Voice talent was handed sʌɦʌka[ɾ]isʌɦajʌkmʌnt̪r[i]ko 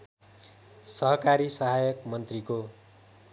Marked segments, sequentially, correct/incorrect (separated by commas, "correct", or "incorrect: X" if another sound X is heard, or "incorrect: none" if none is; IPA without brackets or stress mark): correct, correct